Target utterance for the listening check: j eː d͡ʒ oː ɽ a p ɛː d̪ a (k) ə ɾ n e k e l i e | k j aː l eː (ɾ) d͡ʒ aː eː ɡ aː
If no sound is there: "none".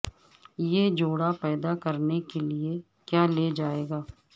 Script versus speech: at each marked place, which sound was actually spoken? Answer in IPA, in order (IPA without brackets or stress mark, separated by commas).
k, none